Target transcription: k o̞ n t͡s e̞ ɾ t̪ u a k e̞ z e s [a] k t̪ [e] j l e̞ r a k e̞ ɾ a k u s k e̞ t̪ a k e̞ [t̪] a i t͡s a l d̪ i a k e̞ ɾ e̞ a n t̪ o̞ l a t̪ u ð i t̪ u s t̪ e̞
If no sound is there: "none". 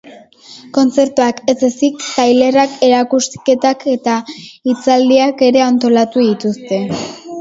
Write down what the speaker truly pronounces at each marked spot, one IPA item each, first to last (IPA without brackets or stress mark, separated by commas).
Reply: i, a, t̪